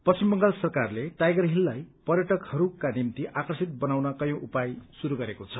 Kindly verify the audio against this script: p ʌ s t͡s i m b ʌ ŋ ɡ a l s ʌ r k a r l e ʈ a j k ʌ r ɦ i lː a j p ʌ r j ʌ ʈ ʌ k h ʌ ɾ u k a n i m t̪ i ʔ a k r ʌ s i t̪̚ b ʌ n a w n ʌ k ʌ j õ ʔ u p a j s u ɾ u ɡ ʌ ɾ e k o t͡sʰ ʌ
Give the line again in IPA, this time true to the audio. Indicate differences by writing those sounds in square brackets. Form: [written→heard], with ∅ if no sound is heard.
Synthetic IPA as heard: p ʌ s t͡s i m b ʌ ŋ ɡ a l s ʌ r k a r l e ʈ a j [k→ɡ] ʌ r ɦ i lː a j p ʌ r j ʌ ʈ ʌ k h ʌ ɾ u k a n i m t̪ i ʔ a k r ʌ s i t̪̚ b ʌ n a w n ʌ k ʌ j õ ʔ u p a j s u ɾ u ɡ ʌ ɾ e k o t͡sʰ ʌ